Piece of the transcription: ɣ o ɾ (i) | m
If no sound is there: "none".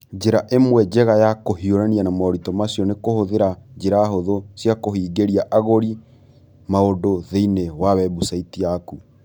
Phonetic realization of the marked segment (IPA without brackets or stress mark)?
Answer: i